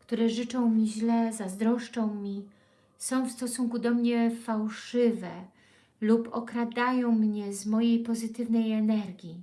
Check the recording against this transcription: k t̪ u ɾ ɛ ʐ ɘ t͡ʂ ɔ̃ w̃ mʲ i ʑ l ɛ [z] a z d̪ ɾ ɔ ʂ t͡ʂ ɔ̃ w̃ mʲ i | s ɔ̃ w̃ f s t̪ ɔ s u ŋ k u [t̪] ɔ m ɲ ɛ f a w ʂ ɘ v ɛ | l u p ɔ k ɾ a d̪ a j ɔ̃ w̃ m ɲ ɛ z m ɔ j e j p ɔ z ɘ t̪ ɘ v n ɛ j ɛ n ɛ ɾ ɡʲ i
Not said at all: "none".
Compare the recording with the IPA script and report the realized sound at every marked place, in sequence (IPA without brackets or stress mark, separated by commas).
z, d̪